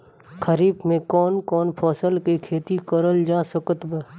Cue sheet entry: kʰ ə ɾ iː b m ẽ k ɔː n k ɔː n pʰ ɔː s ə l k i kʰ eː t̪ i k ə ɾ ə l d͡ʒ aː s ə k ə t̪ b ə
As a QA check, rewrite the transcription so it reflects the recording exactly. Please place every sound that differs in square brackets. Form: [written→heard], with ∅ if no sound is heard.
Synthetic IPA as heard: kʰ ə ɾ iː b m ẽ k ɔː n k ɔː n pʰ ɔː s ə l k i kʰ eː t̪ i k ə ɾ ə l d͡ʒ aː s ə k ə t̪ b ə